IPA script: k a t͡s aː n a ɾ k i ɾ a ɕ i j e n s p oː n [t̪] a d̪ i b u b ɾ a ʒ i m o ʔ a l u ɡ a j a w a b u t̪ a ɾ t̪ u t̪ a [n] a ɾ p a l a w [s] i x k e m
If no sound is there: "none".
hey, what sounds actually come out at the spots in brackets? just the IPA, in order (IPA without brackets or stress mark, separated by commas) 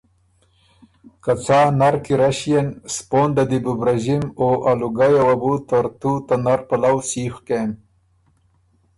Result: d̪, n, s